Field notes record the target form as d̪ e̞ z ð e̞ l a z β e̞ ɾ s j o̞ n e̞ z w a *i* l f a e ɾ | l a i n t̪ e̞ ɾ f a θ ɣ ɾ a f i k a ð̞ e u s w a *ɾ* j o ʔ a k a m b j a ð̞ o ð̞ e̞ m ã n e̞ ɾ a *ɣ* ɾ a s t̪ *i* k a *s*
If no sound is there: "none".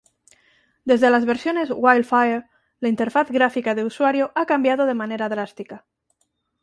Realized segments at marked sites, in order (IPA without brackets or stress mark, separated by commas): j, ɾ, ð, i, none